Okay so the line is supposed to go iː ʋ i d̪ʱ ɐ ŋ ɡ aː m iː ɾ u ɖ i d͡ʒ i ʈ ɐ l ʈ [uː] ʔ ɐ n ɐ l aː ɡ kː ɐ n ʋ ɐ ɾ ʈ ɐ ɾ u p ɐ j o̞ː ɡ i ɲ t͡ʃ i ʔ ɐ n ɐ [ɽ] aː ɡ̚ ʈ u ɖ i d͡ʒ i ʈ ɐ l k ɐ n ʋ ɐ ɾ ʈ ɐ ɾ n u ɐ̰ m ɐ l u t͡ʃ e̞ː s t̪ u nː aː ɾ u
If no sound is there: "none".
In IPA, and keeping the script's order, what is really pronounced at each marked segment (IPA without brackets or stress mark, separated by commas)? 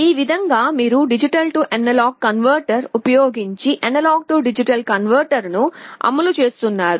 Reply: u, l